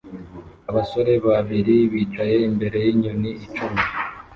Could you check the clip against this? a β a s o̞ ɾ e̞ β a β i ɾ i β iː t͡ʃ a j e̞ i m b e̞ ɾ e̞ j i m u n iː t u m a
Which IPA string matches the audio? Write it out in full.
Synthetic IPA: a β a s o̞ ɾ e̞ β a β i ɾ i β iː t͡ʃ a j e̞ i m b e̞ ɾ e̞ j i ɲ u n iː t͡ʃ u m i

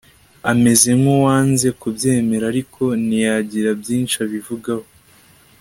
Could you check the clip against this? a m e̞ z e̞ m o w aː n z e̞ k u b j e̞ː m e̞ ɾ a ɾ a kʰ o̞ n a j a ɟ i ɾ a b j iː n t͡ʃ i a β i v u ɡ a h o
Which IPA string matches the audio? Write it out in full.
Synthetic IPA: a m e̞ z e̞ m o w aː n z e̞ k u b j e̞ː m e̞ ɾ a ɾ i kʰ o̞ n i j a ɟ i ɾ a b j iː n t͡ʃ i a β i v u ɡ a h o

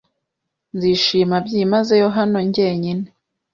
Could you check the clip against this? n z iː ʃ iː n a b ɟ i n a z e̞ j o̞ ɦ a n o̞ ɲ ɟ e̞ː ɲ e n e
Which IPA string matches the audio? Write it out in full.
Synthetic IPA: n z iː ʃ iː m a b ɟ i m a z e̞ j o̞ ɦ a n o̞ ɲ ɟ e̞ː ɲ i n e

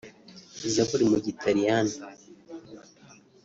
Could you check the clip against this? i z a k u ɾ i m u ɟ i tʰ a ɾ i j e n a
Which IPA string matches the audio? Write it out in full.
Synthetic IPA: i z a k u ɾ i m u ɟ i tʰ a ɾ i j a n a

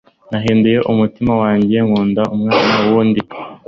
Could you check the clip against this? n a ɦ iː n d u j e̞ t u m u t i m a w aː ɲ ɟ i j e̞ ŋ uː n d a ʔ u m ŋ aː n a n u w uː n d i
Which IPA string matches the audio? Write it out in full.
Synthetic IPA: n a ɦ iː n d u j e̞ ʔ u m u t i m a w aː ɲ ɟ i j e̞ ŋ uː n d a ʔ u m ŋ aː n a n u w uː n d i

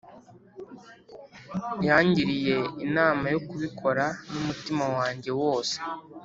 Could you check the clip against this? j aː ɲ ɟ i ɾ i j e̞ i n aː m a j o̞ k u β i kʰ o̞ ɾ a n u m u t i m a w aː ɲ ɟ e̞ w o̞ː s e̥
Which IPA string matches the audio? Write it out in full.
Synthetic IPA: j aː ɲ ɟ i ɾ i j e̞ i n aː m a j o̞ k u β i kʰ o̞ ɾ a n u m u t i m a w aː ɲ ɟ e̞ w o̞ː s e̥

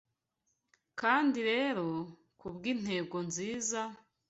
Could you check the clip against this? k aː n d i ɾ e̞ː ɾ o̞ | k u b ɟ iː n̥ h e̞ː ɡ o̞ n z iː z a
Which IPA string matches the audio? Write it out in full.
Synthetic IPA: k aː n d i ɾ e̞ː ɾ o̞ | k u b ɡ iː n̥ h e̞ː ɡ o̞ n z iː z a

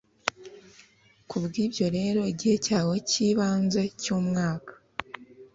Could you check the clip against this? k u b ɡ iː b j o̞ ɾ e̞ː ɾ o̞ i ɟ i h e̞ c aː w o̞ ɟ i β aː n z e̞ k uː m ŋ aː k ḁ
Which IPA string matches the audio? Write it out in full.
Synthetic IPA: k u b ɡ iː b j o̞ ɾ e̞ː ɾ o̞ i ɟ i h e̞ c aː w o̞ c i β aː n z e̞ c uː m ŋ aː k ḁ

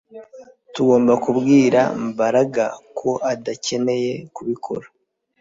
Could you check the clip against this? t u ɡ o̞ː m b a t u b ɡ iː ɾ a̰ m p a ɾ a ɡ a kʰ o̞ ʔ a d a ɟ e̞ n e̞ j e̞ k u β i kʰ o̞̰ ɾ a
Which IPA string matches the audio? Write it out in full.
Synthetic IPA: t u ɡ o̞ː m b a k u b ɡ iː ɾ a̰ m b a ɾ a ɡ a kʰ o̞ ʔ a d a c e̞ n e̞ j e̞ k u β i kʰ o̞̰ ɾ a

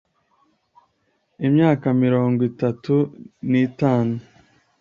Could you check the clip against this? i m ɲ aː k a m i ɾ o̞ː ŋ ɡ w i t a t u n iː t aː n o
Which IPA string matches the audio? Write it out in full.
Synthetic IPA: i m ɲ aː k a m i ɾ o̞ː ŋ ɡ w i t a t u n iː t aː n u

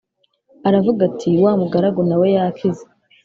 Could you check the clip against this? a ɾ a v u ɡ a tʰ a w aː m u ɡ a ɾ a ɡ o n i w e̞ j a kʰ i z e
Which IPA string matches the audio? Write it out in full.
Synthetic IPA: a ɾ a v u ɡ a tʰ i w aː m u ɡ a ɾ a ɡ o n a w e̞ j a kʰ i z e

